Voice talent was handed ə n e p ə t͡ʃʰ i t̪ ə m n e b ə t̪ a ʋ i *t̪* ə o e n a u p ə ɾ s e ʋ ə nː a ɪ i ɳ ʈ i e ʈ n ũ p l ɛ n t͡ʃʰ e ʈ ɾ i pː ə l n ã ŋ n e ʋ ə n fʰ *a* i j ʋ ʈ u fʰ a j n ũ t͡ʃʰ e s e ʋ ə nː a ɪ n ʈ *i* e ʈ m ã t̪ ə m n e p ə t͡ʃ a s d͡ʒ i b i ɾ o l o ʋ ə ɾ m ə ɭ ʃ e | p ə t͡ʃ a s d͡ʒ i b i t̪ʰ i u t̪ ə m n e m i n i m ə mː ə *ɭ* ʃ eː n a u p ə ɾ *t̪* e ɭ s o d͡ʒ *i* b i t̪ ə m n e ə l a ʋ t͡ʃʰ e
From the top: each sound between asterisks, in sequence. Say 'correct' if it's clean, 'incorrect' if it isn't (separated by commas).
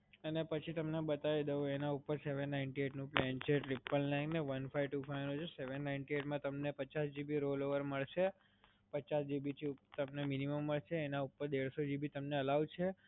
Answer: incorrect, correct, correct, correct, incorrect, correct